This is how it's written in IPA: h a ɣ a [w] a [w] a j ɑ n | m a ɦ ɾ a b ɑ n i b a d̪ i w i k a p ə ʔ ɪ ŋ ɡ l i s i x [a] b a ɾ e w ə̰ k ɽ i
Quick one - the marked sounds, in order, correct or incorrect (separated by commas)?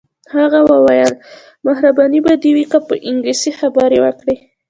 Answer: correct, correct, correct